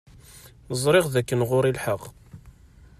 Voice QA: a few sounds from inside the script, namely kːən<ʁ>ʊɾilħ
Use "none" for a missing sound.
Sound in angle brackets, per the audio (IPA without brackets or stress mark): ʁ